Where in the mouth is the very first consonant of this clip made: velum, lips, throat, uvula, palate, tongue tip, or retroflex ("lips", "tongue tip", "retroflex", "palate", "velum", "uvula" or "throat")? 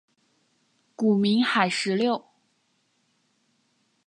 velum